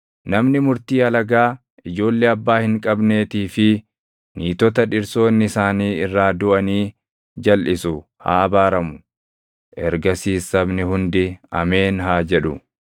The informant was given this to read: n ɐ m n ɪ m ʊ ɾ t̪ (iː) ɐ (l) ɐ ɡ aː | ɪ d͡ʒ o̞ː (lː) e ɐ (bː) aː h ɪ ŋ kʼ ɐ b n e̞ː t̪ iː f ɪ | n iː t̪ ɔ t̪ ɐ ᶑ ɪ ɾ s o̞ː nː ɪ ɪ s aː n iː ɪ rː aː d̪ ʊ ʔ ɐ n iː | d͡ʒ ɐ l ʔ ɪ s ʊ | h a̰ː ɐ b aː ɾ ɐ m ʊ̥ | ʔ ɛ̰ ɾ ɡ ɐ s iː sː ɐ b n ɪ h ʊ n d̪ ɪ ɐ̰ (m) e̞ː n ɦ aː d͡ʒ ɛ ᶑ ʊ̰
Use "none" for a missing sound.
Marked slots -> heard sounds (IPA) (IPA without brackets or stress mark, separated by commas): iː, l, lː, bː, m